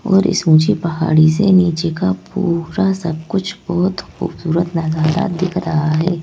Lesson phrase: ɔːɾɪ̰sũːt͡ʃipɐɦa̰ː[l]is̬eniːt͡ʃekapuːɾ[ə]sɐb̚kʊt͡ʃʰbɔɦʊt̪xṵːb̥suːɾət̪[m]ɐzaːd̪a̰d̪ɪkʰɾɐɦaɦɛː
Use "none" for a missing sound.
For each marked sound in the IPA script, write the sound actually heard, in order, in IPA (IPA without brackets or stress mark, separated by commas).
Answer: ɽ, a, n